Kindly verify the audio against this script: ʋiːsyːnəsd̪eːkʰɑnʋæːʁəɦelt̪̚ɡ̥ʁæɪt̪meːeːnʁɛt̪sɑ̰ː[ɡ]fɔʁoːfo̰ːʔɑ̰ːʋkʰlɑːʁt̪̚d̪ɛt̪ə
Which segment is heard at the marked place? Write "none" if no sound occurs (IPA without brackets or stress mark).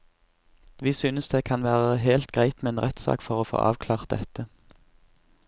k